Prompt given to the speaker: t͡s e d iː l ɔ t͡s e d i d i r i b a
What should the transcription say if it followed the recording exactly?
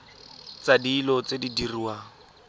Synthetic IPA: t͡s a d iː l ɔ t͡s e d i d i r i w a